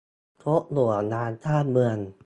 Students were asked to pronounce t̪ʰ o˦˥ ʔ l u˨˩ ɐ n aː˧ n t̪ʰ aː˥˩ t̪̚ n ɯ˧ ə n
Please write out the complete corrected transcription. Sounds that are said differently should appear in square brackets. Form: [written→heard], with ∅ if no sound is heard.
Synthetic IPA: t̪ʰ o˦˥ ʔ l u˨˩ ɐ n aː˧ n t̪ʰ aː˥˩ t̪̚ [n→m] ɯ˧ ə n